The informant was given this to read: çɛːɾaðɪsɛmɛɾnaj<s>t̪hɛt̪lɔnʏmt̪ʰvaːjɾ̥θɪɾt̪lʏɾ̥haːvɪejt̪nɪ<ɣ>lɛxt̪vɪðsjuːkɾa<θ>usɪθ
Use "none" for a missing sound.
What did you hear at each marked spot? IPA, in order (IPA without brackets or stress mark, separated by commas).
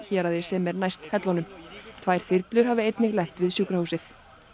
s, ɣ, h